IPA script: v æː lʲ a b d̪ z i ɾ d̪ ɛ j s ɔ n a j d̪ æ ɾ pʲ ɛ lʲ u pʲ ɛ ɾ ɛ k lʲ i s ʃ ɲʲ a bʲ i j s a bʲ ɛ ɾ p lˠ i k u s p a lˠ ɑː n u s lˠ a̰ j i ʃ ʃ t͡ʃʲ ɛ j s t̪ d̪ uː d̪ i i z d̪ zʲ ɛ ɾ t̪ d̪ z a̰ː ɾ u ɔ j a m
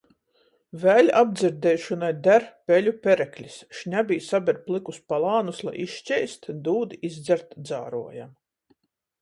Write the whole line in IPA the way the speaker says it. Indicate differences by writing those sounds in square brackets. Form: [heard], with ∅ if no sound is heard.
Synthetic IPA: v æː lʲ a b d̪ z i ɾ d̪ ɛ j [ʃ] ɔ n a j d̪ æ ɾ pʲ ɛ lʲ u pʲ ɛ ɾ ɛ k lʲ i s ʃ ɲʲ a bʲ i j s a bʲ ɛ ɾ p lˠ i k u s p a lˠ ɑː n u s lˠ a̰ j i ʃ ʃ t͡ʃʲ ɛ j s t̪ d̪ uː d̪ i i z d̪ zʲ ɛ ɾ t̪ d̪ z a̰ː ɾ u ɔ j a m